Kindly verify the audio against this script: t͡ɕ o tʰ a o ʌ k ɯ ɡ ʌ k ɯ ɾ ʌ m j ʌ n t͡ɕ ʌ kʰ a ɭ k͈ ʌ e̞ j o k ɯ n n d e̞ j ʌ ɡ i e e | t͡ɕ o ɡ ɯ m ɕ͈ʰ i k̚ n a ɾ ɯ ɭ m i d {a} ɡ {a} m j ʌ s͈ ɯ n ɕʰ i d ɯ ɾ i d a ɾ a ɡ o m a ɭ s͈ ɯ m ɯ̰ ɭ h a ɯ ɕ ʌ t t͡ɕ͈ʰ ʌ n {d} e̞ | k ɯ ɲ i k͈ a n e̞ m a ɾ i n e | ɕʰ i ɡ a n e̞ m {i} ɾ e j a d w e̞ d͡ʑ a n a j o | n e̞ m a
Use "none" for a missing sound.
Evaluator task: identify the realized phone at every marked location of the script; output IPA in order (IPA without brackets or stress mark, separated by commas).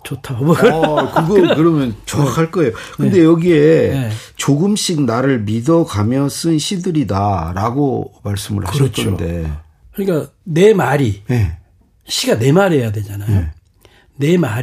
ʌ, a, d, a